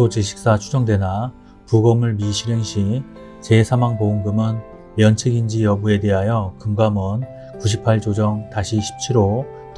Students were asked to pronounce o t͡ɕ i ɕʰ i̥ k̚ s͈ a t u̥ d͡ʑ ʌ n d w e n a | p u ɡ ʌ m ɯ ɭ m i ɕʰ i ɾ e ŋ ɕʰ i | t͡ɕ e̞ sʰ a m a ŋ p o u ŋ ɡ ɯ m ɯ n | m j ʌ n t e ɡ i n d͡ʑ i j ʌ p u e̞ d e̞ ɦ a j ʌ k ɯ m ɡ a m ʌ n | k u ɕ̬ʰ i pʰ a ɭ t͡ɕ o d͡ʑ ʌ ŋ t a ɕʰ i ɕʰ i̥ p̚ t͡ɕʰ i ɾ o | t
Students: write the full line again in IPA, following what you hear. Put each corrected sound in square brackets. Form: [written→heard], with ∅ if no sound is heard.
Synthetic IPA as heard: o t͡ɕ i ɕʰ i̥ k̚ s͈ a [t→t͡ɕʰ] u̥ d͡ʑ ʌ [n→ŋ] d w e n a | p u ɡ ʌ m ɯ ɭ m i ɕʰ i ɾ e ŋ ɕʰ i | t͡ɕ e̞ sʰ a m a ŋ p o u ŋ ɡ ɯ m ɯ n | m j ʌ n [t→t͡ɕʰ] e ɡ i n d͡ʑ i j ʌ [p→b] u e̞ d e̞ ɦ a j ʌ k ɯ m ɡ a m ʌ n | k u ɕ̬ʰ i pʰ a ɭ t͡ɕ o d͡ʑ ʌ ŋ t a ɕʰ i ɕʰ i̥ p̚ t͡ɕʰ i ɾ o | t

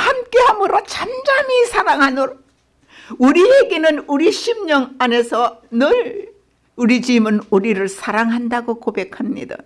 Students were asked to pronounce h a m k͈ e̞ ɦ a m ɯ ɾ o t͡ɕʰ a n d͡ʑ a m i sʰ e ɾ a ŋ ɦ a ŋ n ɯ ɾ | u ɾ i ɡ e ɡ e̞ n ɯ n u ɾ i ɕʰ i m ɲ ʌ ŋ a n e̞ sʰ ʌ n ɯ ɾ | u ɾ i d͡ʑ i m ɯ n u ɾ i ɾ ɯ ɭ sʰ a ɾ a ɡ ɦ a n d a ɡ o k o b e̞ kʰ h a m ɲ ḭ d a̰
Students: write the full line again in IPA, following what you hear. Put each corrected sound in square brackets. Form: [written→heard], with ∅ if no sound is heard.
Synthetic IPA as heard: h a m k͈ e̞ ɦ a m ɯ ɾ o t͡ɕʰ a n d͡ʑ a m i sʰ [e→a] ɾ a ŋ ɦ a [ŋ→∅] n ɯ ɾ | u ɾ i [ɡ→∅] e ɡ e̞ n ɯ n u ɾ i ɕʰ i m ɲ ʌ ŋ a n e̞ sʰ ʌ n ɯ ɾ | u ɾ i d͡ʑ i m ɯ n u ɾ i ɾ ɯ ɭ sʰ a ɾ a [ɡ→ŋ] ɦ a n d a ɡ o k o b e̞ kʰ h a m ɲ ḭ d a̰

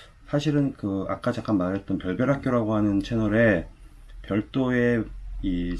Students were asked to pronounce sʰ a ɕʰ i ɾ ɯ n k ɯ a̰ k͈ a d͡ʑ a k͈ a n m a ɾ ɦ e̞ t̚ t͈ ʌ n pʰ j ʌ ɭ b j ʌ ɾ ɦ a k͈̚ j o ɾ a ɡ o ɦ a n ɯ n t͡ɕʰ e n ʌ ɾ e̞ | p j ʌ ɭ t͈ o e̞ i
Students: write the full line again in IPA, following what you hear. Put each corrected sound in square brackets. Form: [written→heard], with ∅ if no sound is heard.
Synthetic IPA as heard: sʰ a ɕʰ i ɾ ɯ n k ɯ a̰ k͈ a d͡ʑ a k͈ a n m a ɾ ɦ e̞ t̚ t͈ ʌ n [pʰ→p] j ʌ ɭ b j ʌ ɾ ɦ a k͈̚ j o ɾ a ɡ o ɦ a n ɯ n t͡ɕʰ e n ʌ ɾ e̞ | p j ʌ ɭ t͈ o e̞ i

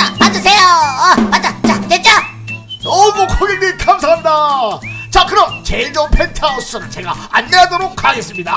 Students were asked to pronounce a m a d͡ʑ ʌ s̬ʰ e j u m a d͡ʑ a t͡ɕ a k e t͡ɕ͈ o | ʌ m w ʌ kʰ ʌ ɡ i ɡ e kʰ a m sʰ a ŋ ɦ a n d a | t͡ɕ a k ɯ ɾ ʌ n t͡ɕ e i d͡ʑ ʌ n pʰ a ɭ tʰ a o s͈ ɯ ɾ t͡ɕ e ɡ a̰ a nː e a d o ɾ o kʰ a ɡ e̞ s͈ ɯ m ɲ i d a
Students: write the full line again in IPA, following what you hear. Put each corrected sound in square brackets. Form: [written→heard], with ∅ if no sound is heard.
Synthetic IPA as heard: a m a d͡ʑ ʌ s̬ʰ e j [u→o] m a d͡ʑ a t͡ɕ a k e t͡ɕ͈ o | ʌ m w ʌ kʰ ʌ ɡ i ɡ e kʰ a m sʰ a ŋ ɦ a n d a | t͡ɕ a k ɯ ɾ ʌ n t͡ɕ e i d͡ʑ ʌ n pʰ [a→e] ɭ tʰ a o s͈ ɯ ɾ t͡ɕ e ɡ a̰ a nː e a d o ɾ o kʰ a ɡ e̞ s͈ ɯ m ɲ i d a

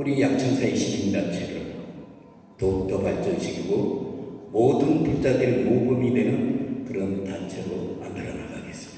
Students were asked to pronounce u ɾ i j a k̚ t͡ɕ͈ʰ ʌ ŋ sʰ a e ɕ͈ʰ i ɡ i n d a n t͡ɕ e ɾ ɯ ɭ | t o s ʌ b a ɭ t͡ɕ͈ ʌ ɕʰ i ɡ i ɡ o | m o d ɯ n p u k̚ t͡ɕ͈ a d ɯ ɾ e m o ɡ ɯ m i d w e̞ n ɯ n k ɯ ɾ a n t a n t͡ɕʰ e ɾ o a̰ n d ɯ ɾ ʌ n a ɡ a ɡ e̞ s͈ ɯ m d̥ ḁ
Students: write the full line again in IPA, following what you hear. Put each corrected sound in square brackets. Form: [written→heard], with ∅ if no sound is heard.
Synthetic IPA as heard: u ɾ i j a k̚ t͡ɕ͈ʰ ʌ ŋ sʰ a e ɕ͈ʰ i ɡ i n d a n [t͡ɕ→t͡ɕʰ] e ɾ ɯ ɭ | t o [s→t] ʌ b a ɭ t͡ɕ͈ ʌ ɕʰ i ɡ i ɡ o | m o d ɯ n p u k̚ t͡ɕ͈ a d ɯ ɾ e m o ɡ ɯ m i d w e̞ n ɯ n k ɯ ɾ [a→ʌ] n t a n t͡ɕʰ e ɾ o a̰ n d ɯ ɾ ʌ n a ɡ a ɡ e̞ s͈ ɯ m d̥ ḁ

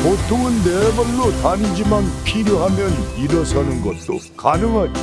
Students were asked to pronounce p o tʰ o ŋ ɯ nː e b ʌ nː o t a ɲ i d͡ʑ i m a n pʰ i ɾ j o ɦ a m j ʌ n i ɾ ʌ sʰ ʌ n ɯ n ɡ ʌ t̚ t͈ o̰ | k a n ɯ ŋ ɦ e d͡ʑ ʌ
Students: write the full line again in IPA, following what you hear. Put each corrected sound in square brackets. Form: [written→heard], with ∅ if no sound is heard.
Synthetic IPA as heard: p o tʰ o ŋ ɯ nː e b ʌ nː o t a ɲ i d͡ʑ i m a n pʰ i ɾ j o ɦ a m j ʌ n i ɾ ʌ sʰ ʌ n ɯ n ɡ ʌ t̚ t͈ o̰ | k a n ɯ ŋ ɦ [e→a] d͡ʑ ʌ

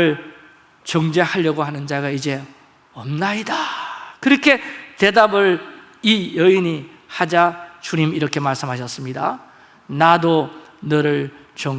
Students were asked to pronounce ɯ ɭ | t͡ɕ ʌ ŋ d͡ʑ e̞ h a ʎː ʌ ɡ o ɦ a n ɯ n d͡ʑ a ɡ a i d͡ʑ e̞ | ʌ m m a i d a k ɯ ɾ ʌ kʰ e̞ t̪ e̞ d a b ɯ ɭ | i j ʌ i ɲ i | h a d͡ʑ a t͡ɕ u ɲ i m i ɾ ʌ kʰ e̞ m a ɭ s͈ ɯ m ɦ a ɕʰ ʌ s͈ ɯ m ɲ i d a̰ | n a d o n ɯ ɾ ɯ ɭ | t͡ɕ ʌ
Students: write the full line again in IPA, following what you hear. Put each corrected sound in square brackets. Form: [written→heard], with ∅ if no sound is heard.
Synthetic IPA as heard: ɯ ɭ | t͡ɕ ʌ ŋ d͡ʑ e̞ h a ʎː ʌ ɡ o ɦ a n ɯ n d͡ʑ a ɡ a i d͡ʑ e̞ | ʌ m [m→n] a i d a k ɯ ɾ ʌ kʰ e̞ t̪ e̞ d a b ɯ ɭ | i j ʌ i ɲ i | h a d͡ʑ a t͡ɕ u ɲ i m i ɾ ʌ kʰ e̞ m a ɭ s͈ ɯ m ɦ a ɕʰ ʌ s͈ ɯ m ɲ i d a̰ | n a d o n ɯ ɾ ɯ ɭ | t͡ɕ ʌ

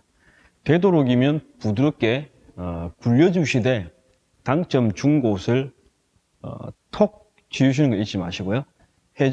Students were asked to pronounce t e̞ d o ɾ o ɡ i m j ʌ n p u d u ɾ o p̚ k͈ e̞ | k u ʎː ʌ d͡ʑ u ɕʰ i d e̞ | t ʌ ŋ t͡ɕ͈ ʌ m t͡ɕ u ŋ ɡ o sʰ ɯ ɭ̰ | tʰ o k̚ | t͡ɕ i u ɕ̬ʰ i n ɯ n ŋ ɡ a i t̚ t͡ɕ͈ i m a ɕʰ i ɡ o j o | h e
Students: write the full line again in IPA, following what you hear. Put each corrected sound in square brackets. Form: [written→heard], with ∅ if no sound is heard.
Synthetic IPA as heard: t e̞ d o ɾ o ɡ i m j ʌ n p u d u ɾ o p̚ k͈ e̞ | k u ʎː ʌ d͡ʑ u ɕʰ i d e̞ | t [ʌ→a] ŋ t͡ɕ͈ ʌ m t͡ɕ u ŋ ɡ o sʰ ɯ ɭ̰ | tʰ o k̚ | t͡ɕ i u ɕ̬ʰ i n ɯ n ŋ ɡ [a→ʌ] i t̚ t͡ɕ͈ i m a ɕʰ i ɡ o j o | h e

